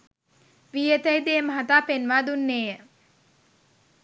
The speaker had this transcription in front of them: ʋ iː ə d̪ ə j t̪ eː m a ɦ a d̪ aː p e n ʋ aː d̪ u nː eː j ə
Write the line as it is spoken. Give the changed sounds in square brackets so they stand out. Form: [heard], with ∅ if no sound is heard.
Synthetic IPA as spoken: ʋ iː ə [t̪] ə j [d̪] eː m [ə] ɦ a [t̪] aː p e n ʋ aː d̪ u nː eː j ə

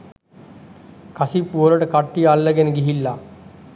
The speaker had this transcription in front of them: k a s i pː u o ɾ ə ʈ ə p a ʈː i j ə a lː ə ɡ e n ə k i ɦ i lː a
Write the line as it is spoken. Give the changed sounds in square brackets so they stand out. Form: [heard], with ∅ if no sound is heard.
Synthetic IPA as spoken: k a s i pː u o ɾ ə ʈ ə [k] a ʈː i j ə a lː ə ɡ e n ə [ɡ] i ɦ i lː a

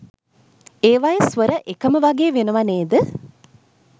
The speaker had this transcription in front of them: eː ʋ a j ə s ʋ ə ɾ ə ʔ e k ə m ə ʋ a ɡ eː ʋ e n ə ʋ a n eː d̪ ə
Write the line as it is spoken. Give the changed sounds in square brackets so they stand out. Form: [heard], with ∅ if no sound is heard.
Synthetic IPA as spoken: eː ʋ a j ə s ʋ ə ɾ ə ʔ e k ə m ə ʋ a ɡ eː ʋ e n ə ʋ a n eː d̪ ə

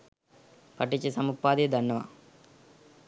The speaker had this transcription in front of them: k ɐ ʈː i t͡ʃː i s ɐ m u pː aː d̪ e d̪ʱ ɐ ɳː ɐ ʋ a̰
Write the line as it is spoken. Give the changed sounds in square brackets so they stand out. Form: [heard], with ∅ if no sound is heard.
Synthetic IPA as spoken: [p] ɐ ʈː i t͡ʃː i s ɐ m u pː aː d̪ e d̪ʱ ɐ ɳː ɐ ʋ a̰

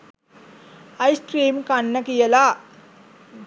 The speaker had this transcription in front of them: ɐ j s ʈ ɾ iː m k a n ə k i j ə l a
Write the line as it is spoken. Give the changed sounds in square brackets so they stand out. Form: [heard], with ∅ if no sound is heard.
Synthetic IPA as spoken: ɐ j s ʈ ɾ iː m k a [nː] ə k i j ə l a

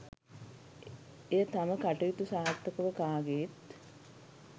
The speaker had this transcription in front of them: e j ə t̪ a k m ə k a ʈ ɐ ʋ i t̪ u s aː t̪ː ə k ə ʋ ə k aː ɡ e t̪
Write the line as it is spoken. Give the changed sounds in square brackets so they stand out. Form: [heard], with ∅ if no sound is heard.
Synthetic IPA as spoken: e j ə t̪ a [∅] m ə k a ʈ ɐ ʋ i t̪ u s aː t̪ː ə k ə ʋ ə k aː ɡ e t̪

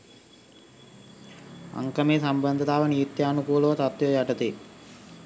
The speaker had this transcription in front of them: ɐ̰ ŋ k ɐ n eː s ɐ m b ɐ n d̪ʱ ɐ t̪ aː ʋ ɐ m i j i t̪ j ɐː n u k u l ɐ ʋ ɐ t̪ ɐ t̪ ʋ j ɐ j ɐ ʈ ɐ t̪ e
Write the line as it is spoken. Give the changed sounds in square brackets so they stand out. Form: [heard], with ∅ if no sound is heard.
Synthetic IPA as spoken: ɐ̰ ŋ k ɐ [m] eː s ɐ m b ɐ n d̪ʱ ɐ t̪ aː ʋ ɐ [n] i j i t̪ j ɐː n u k [uː] l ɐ ʋ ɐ t̪ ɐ t̪ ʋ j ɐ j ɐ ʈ ɐ t̪ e

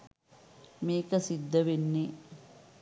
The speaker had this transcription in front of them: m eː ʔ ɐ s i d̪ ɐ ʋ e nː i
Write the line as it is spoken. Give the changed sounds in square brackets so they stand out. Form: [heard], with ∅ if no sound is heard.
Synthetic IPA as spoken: m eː [k] ɐ s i [d̪ː] ɐ ʋ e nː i

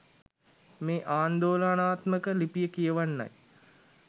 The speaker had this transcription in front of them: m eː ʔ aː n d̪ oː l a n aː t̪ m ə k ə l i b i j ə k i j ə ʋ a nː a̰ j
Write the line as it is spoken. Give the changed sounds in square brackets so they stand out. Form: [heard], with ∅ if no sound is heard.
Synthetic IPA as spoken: m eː ʔ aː n d̪ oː l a n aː t̪ m ə k ə l i [p] i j ə k i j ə ʋ a nː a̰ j

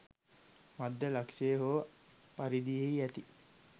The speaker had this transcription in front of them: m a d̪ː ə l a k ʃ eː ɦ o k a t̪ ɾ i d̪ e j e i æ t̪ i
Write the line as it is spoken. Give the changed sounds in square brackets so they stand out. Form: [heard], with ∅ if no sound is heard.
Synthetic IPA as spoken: m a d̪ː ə l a k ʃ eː ɦ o [p] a [∅] ɾ i d̪ [i] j e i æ t̪ i

